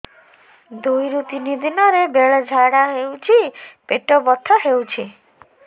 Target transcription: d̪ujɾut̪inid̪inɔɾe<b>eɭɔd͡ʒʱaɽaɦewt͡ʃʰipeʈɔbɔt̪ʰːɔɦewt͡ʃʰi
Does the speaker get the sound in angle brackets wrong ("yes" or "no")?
no